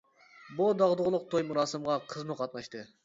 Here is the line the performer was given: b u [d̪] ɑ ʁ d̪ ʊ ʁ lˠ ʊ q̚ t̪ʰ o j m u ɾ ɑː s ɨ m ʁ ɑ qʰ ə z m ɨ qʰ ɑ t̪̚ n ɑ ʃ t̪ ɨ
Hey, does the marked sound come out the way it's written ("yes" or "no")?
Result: yes